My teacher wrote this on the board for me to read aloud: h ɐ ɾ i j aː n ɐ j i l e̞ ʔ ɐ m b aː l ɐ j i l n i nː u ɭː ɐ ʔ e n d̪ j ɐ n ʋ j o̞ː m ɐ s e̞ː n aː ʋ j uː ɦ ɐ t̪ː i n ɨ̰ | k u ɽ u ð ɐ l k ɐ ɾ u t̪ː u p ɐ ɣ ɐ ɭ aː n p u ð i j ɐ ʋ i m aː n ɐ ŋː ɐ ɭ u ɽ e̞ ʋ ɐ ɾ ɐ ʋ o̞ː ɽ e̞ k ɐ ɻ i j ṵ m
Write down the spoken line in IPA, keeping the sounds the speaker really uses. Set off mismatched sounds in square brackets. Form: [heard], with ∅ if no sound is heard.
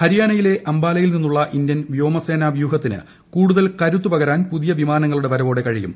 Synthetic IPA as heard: h ɐ ɾ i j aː n ɐ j i l e̞ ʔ ɐ m b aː l ɐ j i l n i nː u ɭː ɐ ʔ [i] n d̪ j ɐ n ʋ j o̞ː m ɐ s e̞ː n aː ʋ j uː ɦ ɐ t̪ː i n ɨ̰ | k [uː] ɽ u ð ɐ l k ɐ ɾ u t̪ː u p ɐ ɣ ɐ [ɾ] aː n p u ð i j ɐ ʋ i m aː n ɐ ŋː ɐ ɭ u ɽ e̞ ʋ ɐ ɾ ɐ ʋ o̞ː ɽ e̞ k ɐ ɻ i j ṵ m